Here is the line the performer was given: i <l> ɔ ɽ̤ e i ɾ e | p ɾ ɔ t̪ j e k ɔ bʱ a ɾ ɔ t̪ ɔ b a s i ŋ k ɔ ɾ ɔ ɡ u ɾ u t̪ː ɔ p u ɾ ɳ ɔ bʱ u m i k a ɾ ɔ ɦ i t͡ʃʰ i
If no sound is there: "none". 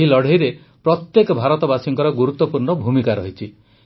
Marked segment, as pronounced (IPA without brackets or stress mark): l